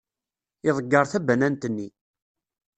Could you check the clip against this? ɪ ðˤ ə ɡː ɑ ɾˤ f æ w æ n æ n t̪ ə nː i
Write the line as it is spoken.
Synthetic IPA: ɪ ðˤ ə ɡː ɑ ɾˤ θ æ b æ n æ n t̪ ə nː i